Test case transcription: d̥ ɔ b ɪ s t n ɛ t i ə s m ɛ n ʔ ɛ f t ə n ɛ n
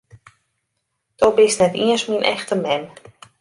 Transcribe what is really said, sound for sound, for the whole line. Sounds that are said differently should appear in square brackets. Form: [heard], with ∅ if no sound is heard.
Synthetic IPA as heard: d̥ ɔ b ɪ s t n ɛ t i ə s m [i] n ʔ ɛ [x] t ə [m] ɛ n